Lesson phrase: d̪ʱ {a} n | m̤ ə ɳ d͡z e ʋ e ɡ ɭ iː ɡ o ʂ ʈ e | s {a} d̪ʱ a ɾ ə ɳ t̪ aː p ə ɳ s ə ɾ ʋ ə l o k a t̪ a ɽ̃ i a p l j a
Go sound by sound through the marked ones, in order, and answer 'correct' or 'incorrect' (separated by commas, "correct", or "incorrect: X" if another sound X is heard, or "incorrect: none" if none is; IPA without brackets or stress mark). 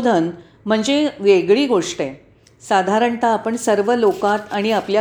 incorrect: ə, correct